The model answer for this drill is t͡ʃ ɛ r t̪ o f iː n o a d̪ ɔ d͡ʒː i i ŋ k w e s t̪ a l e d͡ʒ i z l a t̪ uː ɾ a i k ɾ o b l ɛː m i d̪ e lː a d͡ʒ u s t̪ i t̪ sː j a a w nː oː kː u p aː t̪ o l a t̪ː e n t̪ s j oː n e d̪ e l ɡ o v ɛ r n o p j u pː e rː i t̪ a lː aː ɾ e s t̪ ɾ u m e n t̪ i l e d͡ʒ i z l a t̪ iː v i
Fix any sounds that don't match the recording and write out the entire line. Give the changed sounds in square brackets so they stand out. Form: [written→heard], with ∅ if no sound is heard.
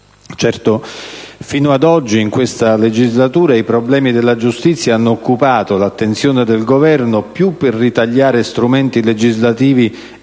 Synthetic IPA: t͡ʃ ɛ r t̪ o f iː n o a d̪ ɔ d͡ʒː i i ŋ k w e s t̪ a l e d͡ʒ i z l a t̪ uː ɾ a i [k→p] ɾ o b l ɛː m i d̪ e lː a d͡ʒ u s t̪ i t̪ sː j a a [w→∅] nː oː kː u p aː t̪ o l a t̪ː e n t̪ s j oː n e d̪ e l ɡ o v ɛ r n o p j u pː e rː i t̪ a [lː→ʎː] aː ɾ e s t̪ ɾ u m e n t̪ i l e d͡ʒ i z l a t̪ iː v i